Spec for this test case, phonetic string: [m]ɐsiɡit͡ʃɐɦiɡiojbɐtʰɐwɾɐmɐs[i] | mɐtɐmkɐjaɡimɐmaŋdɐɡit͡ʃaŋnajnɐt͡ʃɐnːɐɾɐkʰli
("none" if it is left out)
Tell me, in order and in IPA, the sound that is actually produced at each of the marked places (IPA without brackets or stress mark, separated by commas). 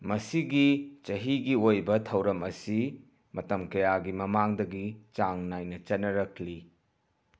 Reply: m, i